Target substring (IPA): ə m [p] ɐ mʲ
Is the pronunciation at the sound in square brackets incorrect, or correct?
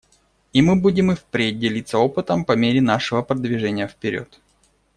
correct